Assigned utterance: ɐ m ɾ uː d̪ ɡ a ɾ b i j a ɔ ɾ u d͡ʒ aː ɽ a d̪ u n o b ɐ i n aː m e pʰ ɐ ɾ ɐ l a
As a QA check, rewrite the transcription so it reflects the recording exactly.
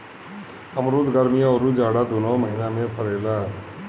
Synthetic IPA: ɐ m ɾ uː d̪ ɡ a ɾ m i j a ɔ ɾ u d͡ʒ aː ɽ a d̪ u n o m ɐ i n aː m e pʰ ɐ ɾ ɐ l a